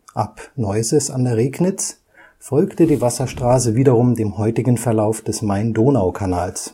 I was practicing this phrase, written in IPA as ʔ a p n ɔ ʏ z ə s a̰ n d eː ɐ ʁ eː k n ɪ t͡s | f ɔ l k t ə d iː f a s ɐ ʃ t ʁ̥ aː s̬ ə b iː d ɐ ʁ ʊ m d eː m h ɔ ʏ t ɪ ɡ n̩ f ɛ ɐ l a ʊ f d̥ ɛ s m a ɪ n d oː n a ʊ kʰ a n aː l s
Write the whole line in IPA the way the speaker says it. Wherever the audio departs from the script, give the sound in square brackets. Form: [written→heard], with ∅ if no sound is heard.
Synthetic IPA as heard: ʔ a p n ɔ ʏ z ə s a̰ n d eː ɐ ʁ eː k n ɪ t͡s | f ɔ l k t ə d iː [f→v] a s ɐ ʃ t ʁ̥ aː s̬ ə [b→v] iː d ɐ ʁ ʊ m d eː m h ɔ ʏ t ɪ ɡ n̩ f ɛ ɐ l a ʊ f d̥ ɛ s m a ɪ n d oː n a ʊ kʰ a n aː l s